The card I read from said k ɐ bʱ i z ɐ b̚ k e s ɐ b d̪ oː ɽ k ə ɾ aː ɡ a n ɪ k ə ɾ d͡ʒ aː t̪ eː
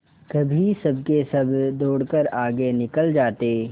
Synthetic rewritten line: k ɐ bʱ i s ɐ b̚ k e s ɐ b d̪ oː ɽ k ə ɾ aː ɡ e n ɪ k ə l d͡ʒ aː t̪ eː